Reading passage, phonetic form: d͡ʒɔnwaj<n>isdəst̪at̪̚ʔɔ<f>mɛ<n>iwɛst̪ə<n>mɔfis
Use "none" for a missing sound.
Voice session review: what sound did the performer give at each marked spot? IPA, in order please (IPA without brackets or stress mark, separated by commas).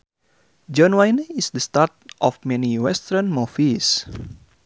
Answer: n, f, n, n